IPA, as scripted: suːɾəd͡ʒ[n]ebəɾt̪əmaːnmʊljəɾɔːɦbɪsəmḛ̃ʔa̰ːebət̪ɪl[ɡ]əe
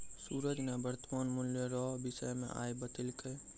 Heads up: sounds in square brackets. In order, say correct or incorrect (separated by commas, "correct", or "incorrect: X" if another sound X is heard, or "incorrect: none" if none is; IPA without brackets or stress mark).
correct, incorrect: k